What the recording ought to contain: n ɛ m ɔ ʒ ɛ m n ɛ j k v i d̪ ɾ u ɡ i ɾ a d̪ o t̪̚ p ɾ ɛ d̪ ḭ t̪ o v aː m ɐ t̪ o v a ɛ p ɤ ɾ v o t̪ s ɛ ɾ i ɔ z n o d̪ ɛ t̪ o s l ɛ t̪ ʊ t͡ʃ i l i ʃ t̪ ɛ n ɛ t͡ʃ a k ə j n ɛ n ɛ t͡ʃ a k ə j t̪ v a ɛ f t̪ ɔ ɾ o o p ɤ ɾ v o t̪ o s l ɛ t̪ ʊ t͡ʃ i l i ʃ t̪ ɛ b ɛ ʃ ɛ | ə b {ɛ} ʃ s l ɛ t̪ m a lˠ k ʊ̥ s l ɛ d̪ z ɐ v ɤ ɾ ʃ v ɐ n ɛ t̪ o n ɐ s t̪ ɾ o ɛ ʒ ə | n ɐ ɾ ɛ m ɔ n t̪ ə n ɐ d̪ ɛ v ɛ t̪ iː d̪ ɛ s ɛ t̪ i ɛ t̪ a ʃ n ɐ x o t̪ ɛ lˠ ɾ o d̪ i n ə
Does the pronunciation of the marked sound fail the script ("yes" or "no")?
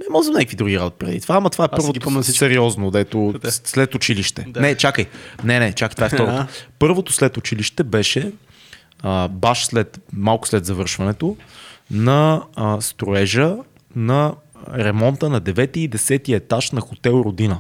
yes